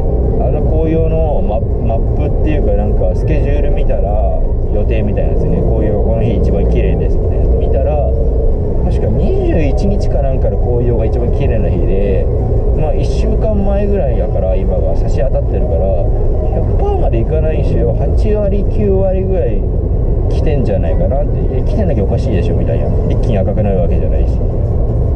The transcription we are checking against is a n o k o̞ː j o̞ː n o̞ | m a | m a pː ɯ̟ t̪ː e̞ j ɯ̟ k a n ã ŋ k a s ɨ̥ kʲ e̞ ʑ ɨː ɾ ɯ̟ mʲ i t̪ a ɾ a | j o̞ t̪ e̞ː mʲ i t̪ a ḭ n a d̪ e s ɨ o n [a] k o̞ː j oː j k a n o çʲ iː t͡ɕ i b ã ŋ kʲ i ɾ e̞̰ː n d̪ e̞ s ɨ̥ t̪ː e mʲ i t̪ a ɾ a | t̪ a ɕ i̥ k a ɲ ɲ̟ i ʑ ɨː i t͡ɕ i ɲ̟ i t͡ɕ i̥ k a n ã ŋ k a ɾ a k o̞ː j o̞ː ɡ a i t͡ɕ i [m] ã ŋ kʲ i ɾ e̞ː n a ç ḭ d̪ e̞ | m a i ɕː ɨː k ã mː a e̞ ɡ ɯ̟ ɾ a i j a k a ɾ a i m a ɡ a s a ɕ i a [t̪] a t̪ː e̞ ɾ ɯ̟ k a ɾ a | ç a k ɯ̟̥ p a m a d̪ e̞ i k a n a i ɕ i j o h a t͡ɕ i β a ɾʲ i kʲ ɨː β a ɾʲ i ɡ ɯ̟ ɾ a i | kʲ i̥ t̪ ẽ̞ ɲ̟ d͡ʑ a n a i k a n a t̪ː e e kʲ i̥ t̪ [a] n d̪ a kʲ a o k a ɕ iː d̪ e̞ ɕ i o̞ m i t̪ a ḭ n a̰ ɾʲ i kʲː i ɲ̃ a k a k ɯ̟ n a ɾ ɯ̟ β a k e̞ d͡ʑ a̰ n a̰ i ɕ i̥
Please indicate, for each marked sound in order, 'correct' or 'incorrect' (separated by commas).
incorrect, incorrect, correct, incorrect